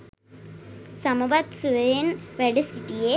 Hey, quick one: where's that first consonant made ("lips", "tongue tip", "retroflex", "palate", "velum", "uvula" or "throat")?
tongue tip